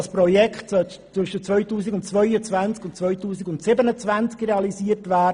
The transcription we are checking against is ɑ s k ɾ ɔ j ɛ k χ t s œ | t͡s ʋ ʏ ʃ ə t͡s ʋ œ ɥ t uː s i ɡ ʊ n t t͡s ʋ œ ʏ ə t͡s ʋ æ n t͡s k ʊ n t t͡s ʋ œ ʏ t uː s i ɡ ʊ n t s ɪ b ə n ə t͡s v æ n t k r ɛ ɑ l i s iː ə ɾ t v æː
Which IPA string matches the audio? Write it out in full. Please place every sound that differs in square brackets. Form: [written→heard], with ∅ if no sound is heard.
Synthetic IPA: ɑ s [k→p] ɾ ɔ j ɛ k χ t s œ | t͡s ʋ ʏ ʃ ə t͡s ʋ œ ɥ t uː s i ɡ ʊ n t t͡s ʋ œ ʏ ə t͡s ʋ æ n t͡s k ʊ n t t͡s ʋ œ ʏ t uː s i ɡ ʊ n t s ɪ b ə n ə t͡s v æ n [t→t͡s] k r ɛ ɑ l i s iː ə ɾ t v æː